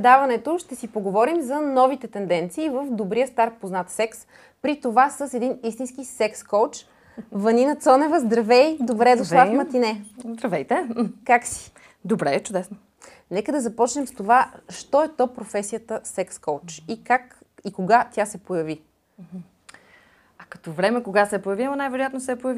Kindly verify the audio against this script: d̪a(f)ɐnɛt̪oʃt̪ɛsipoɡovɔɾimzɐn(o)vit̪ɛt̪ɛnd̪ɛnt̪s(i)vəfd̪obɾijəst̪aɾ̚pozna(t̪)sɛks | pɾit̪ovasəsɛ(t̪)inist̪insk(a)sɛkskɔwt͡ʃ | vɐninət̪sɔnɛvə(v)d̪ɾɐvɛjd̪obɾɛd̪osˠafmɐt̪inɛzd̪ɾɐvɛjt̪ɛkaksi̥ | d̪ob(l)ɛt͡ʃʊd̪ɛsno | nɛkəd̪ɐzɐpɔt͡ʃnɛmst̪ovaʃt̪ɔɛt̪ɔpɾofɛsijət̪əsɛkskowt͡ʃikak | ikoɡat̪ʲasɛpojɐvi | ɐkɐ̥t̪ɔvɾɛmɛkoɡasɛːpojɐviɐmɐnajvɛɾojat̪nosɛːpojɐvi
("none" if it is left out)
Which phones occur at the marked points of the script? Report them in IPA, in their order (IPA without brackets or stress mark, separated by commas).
v, ɔ, iː, t̪, d̪, i, z, ɾ